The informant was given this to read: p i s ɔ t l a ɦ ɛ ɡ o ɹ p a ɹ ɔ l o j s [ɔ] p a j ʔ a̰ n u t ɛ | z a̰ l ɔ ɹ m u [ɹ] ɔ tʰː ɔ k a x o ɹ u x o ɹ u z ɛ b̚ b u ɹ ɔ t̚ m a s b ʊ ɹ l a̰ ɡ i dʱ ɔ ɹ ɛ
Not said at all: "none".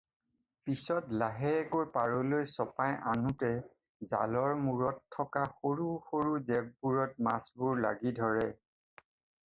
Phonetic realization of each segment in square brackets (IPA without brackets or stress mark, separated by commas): ɔ, ɹ